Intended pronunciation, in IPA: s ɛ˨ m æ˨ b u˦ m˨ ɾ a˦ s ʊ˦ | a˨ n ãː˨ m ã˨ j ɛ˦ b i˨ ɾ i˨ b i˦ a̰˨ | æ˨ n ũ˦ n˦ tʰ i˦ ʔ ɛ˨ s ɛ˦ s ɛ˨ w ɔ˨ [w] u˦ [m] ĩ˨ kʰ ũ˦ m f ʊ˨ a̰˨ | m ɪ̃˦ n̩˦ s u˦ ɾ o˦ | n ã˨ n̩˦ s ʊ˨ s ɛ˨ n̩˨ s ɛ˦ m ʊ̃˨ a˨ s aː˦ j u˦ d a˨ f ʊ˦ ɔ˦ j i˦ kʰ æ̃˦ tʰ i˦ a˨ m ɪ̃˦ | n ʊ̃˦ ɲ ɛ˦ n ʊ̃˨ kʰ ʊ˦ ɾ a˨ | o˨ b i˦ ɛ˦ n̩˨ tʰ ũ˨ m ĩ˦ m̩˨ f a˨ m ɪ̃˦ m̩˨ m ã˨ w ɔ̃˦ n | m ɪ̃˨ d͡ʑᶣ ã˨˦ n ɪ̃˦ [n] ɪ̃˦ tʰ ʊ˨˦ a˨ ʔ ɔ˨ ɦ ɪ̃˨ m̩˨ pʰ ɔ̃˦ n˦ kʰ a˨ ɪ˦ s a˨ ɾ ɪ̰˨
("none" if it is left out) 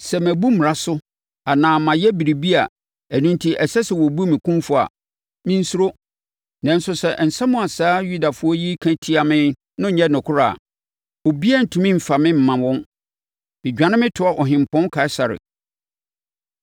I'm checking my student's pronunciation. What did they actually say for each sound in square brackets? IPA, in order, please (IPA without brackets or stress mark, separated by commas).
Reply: b, m, m